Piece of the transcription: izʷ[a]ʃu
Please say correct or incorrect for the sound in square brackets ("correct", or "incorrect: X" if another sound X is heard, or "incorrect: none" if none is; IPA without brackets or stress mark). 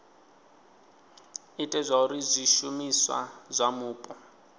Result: incorrect: i